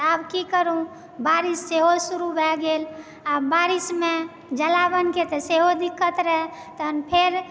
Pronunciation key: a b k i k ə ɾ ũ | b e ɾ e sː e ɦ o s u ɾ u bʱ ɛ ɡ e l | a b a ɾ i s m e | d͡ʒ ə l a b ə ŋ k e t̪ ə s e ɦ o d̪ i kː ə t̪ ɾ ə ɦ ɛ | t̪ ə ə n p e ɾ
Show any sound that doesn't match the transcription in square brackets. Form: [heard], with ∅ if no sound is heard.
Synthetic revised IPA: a b k i k ə ɾ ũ | b [a] ɾ [i] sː e ɦ o s u ɾ u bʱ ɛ ɡ e l | a b a ɾ i s m e | d͡ʒ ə l a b ə [n] k e t̪ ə s e ɦ o d̪ i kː ə t̪ ɾ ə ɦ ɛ | t̪ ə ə n [pʰ] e ɾ